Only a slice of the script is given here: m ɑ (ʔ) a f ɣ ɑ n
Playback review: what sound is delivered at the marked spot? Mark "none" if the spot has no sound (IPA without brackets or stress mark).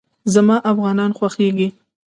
ʔ